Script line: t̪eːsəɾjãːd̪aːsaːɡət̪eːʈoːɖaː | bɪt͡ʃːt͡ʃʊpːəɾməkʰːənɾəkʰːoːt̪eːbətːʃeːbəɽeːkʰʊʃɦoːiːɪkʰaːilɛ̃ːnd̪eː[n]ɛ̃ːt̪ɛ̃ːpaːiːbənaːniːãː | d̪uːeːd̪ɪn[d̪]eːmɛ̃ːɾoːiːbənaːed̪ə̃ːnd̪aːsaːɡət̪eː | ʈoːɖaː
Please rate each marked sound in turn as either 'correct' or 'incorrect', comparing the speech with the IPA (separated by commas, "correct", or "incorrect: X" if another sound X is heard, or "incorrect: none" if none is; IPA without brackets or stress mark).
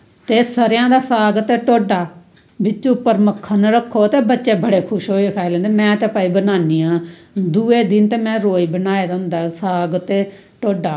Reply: incorrect: m, incorrect: t̪